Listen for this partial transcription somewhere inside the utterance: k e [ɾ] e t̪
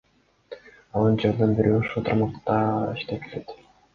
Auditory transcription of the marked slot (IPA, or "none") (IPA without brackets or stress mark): l